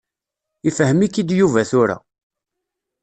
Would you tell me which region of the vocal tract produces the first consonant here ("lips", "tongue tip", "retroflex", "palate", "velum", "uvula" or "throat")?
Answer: lips